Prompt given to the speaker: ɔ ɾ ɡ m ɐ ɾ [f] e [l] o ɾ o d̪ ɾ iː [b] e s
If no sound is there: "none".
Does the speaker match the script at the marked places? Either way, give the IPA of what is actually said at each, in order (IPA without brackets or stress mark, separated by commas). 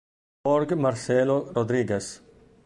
s, l, ɡ